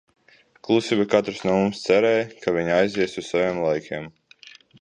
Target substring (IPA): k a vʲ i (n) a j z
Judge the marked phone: incorrect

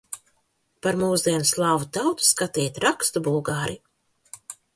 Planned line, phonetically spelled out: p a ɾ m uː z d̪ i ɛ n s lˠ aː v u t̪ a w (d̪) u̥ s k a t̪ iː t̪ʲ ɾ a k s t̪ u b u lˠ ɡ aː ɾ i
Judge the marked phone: incorrect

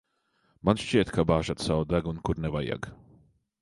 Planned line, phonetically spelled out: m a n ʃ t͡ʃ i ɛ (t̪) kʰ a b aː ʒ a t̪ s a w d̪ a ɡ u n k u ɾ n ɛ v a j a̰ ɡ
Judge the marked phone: correct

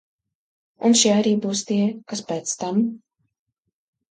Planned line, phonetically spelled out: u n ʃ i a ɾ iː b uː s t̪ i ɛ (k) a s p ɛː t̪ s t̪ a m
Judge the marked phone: correct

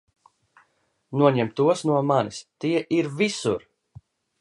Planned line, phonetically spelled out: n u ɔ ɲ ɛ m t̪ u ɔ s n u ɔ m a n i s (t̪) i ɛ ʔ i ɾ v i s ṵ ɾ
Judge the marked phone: correct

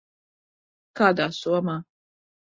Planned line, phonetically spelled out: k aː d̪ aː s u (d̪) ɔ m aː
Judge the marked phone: incorrect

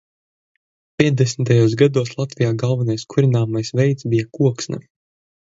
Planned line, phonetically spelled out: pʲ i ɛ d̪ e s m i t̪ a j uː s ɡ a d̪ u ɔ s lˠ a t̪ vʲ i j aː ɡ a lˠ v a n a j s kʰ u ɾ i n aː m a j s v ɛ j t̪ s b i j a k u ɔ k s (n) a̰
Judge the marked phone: correct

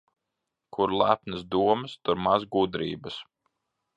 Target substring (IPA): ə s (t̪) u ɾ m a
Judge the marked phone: correct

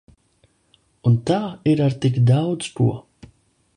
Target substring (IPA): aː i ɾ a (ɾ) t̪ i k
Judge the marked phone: correct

